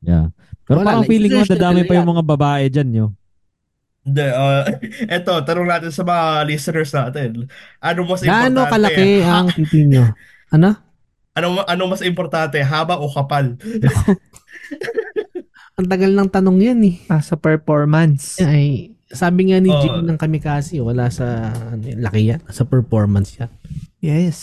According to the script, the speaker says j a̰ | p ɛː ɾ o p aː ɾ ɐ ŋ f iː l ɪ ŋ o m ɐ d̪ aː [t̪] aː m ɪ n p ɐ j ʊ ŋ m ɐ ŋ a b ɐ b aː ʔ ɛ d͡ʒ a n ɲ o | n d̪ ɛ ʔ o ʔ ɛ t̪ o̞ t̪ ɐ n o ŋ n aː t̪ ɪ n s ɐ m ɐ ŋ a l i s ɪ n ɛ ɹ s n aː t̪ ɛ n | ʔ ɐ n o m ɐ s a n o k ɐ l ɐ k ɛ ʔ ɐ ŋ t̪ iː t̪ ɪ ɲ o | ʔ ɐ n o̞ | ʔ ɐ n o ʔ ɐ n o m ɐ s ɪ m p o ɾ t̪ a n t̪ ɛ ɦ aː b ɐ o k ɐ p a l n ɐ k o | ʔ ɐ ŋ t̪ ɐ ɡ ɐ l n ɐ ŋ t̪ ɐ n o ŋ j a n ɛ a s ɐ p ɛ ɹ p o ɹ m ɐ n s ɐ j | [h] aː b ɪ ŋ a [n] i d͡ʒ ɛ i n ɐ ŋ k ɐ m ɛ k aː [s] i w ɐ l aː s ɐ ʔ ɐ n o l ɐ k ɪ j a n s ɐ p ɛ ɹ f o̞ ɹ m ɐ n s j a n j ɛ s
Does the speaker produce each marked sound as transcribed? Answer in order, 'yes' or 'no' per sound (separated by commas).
no, no, yes, yes